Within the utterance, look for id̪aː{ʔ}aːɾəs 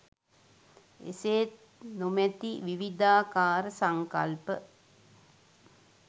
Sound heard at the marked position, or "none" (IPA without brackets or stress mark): k